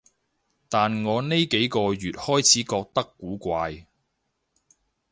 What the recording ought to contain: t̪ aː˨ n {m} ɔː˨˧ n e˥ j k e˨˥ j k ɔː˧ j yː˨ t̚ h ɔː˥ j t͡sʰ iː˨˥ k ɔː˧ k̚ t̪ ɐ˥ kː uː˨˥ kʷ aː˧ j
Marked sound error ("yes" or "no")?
yes